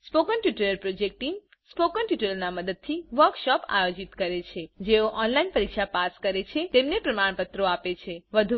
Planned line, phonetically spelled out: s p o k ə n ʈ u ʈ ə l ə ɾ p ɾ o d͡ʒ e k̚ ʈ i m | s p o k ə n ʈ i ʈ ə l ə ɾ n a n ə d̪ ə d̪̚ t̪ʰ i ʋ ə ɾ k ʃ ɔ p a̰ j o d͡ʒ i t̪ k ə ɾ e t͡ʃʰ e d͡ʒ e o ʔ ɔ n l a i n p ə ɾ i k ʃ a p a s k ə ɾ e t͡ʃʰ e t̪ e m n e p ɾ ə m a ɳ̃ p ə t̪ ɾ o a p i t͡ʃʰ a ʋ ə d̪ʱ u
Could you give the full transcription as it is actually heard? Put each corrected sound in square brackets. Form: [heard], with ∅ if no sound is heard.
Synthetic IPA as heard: s p o k ə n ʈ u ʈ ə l ə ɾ p ɾ o d͡ʒ e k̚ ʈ i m | s p o k ə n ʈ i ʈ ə l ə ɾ n a [m] ə d̪ ə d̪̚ t̪ʰ i ʋ ə ɾ k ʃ ɔ p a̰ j o d͡ʒ i t̪ k ə ɾ e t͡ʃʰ e d͡ʒ e o ʔ ɔ n l a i n p ə ɾ i k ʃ a p a s k ə ɾ e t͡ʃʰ e t̪ e m n e p ɾ ə m a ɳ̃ p ə t̪ ɾ o a p [e] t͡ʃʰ [e] ʋ ə d̪ʱ u